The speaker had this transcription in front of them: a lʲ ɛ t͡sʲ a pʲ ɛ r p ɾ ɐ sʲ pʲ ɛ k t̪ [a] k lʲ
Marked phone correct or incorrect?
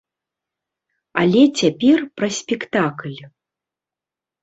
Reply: correct